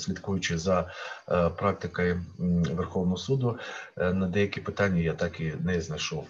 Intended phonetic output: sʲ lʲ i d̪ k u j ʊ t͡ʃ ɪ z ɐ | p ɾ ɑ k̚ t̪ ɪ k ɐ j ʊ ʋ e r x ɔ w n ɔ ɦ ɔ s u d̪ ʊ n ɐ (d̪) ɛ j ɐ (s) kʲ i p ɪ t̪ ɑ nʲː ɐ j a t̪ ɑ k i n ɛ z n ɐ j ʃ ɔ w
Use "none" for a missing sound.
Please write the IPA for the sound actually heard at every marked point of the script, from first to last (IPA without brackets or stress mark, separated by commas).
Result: d̪, none